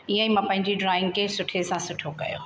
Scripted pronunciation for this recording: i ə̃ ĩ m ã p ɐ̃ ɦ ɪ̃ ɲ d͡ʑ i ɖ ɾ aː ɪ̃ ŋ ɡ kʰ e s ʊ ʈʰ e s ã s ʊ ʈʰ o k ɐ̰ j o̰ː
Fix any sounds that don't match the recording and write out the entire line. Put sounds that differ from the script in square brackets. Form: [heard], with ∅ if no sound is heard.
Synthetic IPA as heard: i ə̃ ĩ m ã p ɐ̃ ɦ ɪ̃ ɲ d͡ʑ i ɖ ɾ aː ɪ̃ ŋ ɡ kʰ e s ʊ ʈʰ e s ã s ʊ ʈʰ o k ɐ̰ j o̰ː